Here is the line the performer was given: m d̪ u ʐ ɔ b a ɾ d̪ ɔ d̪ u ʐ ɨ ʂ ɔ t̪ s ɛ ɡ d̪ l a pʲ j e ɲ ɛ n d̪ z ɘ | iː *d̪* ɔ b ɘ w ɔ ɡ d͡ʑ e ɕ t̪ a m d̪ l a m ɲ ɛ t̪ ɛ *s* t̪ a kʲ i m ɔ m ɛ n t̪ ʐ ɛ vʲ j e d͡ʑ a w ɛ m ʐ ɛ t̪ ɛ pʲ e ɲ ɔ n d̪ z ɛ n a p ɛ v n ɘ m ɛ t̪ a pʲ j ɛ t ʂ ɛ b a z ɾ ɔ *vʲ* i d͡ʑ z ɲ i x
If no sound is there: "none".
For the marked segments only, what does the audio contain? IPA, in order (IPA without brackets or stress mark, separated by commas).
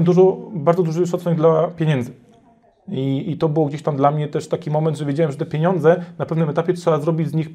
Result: t̪, ʂ, bʲ